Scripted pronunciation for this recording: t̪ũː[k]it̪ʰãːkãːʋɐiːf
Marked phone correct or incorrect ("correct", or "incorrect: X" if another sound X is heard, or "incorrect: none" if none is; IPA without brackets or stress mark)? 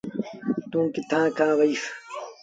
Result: correct